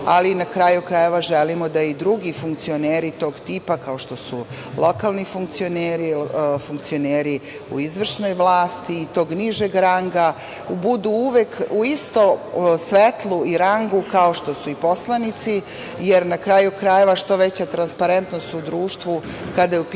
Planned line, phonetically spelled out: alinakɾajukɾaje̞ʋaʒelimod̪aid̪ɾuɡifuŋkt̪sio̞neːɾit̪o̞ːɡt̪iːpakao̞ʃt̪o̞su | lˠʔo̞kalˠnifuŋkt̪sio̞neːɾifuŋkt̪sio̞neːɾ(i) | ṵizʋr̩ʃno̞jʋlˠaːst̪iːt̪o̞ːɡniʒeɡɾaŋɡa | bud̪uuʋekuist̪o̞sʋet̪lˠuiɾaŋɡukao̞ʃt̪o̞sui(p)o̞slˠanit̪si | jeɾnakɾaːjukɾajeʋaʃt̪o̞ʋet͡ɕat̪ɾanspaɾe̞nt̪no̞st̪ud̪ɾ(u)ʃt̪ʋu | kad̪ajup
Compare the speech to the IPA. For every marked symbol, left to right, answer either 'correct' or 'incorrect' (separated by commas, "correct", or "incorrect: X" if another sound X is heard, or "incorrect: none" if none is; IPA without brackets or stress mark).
correct, correct, incorrect: uː